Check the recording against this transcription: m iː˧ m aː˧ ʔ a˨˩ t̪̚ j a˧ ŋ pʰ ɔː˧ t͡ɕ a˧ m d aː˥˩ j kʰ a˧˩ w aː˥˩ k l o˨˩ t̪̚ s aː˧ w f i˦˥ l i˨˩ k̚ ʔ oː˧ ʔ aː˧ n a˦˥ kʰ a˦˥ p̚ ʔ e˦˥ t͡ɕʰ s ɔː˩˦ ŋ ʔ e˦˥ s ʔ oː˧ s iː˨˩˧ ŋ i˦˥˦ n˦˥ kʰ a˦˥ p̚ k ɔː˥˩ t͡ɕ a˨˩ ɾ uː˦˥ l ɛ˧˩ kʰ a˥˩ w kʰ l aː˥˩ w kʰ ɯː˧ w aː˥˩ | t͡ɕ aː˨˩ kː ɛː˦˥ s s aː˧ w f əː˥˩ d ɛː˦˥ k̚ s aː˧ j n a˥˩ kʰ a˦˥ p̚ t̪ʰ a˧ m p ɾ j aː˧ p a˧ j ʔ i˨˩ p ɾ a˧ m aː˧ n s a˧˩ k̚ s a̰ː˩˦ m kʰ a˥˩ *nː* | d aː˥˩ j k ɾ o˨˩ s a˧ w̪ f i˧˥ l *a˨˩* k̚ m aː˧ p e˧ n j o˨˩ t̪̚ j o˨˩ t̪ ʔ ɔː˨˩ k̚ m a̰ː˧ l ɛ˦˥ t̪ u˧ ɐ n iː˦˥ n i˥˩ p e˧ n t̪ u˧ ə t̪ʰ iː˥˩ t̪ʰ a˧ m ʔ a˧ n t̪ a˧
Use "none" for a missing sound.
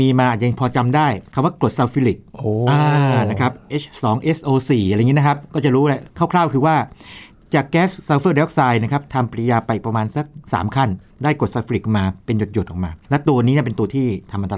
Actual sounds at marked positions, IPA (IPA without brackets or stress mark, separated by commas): n, i˨˩